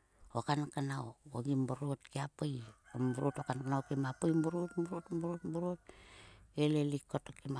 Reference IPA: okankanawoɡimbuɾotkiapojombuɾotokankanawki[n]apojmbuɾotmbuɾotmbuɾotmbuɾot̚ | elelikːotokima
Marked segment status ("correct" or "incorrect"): incorrect